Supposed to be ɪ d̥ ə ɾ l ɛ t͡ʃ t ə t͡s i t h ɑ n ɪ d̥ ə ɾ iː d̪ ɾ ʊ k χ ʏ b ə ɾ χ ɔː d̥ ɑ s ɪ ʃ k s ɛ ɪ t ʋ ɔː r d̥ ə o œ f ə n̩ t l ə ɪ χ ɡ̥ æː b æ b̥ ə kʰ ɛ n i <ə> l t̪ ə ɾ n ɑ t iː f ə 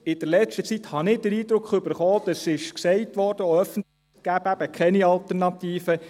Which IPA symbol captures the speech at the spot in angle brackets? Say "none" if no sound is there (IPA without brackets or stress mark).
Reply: ɑ